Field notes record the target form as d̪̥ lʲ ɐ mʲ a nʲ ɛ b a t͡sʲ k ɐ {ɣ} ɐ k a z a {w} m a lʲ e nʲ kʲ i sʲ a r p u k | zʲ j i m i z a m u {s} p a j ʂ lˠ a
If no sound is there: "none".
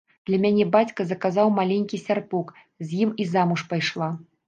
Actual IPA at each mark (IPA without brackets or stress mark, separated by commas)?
z, w, ʂ